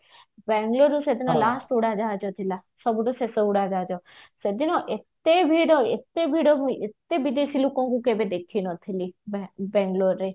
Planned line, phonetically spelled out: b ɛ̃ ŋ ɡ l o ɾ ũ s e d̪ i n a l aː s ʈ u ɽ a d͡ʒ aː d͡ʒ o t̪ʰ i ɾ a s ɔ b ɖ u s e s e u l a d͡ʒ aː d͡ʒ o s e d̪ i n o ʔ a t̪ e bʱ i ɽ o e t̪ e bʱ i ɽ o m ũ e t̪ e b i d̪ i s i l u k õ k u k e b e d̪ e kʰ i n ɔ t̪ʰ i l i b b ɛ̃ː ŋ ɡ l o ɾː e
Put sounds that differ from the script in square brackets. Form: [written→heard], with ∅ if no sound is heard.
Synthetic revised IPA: b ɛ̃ ŋ ɡ l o ɾ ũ s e d̪ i n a l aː s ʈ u ɽ a d͡ʒ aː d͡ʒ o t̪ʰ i [ɾ→l] a s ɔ b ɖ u s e s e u [l→ɽ] a d͡ʒ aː d͡ʒ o s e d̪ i n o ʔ [a→e] t̪ e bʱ i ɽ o e t̪ e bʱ i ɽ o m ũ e t̪ e b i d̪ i s i l u k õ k u k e b e d̪ e kʰ i n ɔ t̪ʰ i l i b b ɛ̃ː ŋ ɡ l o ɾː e